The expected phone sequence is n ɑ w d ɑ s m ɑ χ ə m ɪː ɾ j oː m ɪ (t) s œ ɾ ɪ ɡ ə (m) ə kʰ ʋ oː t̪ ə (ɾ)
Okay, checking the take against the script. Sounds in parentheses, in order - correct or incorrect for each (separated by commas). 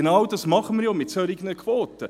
correct, incorrect, incorrect